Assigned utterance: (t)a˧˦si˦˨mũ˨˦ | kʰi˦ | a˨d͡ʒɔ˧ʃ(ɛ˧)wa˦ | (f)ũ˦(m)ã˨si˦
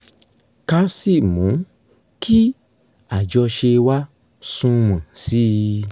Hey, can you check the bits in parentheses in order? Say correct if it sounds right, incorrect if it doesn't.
incorrect: k, incorrect: e˧, incorrect: s, correct

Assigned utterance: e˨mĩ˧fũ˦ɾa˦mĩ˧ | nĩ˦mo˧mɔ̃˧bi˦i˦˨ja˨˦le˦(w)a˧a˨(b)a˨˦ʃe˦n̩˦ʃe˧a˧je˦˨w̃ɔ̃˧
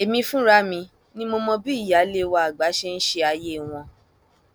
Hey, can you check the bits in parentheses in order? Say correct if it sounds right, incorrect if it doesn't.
correct, incorrect: ɡ͡b

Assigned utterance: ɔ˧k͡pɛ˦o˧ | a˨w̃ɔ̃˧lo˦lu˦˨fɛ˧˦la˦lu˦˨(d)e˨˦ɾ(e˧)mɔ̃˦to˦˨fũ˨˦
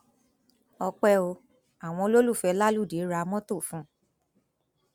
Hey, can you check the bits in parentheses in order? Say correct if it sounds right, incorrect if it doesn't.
correct, incorrect: a˧

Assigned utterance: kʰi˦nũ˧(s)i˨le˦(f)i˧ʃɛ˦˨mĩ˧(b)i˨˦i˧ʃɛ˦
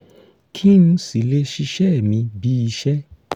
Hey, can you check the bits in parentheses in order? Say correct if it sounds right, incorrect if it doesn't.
correct, incorrect: ʃ, correct

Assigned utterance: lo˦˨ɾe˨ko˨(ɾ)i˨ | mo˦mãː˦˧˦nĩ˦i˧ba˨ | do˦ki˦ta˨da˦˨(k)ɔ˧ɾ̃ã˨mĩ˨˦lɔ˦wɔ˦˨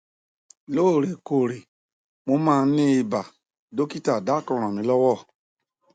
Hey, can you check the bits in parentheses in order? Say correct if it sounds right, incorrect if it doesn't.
correct, correct

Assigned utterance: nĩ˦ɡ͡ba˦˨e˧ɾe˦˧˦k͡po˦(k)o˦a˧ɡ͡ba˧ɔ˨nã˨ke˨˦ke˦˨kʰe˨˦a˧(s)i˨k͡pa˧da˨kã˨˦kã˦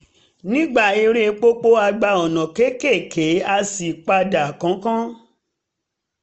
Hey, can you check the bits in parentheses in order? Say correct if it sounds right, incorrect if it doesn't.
incorrect: k͡p, correct

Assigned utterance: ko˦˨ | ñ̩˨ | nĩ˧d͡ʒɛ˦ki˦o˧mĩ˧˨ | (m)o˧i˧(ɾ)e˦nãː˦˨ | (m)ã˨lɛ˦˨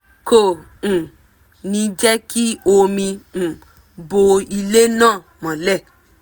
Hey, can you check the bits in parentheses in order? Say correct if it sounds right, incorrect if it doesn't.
incorrect: b, incorrect: l, correct

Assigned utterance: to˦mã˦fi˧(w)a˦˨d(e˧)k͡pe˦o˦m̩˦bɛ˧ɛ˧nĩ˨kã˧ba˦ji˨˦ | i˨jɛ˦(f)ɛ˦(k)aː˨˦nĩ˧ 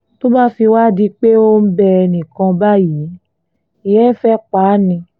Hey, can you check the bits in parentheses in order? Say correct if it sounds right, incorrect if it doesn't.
correct, incorrect: i˧, correct, incorrect: k͡p

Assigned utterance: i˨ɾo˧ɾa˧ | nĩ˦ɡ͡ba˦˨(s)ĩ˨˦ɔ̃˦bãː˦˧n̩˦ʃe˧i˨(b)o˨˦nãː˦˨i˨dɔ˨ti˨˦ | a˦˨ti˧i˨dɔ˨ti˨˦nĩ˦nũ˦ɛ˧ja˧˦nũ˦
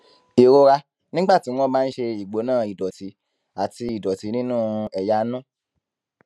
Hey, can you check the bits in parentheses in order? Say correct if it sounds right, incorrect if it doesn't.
incorrect: t, incorrect: ɡ͡b

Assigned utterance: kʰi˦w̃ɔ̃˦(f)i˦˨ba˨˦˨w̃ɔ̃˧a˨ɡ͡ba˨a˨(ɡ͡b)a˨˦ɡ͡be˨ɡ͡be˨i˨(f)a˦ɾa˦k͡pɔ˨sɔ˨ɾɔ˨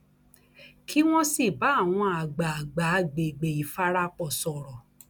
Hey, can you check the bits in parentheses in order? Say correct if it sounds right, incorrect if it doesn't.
incorrect: s, correct, correct

